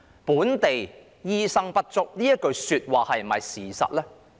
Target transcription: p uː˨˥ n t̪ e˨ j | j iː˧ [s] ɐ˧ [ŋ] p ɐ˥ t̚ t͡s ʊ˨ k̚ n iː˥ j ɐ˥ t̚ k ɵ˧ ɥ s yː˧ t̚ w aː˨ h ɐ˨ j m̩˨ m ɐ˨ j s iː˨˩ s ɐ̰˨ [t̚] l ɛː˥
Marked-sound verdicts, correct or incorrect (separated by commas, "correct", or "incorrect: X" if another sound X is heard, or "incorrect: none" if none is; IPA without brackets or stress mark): correct, correct, correct